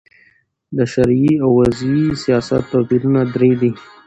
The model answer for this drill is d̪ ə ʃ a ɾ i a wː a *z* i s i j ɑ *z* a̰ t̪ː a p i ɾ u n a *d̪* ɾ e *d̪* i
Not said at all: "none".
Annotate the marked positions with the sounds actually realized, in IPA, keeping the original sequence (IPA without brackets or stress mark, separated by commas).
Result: z, s, d̪, d̪